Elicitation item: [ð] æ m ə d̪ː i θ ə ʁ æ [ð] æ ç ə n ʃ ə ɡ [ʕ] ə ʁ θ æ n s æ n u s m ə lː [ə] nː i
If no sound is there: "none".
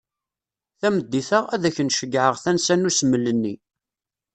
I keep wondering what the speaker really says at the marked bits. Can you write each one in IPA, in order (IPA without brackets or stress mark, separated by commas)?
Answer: θ, ð, ʕ, ə